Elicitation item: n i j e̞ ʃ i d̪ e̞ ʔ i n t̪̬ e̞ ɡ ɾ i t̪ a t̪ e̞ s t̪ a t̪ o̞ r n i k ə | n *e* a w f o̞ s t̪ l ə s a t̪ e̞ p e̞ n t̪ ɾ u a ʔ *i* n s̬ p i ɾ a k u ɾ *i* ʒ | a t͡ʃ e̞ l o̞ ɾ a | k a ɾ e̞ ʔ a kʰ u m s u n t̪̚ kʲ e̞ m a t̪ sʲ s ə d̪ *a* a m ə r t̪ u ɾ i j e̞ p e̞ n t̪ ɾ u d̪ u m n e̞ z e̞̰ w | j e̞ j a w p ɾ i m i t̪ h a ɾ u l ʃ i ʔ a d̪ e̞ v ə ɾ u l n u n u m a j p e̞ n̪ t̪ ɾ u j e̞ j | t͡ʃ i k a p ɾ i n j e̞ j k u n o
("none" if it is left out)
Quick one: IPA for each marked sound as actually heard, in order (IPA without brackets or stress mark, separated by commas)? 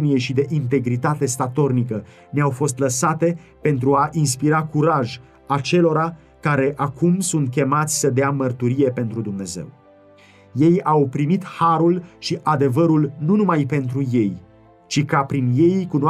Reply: e, i, a, e